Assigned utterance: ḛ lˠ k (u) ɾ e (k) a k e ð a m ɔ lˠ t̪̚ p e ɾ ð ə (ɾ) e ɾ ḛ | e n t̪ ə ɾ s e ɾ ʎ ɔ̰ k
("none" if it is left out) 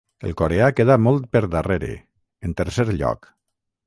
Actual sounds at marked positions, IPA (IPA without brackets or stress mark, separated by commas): o, none, r